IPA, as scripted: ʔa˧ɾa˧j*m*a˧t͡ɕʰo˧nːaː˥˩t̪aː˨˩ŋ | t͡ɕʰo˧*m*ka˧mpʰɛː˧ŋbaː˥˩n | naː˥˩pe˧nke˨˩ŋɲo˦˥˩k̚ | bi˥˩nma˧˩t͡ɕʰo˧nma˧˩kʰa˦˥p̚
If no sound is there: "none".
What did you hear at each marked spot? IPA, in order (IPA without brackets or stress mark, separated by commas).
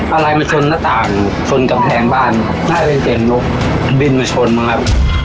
m, n